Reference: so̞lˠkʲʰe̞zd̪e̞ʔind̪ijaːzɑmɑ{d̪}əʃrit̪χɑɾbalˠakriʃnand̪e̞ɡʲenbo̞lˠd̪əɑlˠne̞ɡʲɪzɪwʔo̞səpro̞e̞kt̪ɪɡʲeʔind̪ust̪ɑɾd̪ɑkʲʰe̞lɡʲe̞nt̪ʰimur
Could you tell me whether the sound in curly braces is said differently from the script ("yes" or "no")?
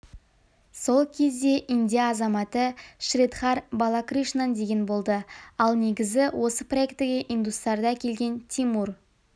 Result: yes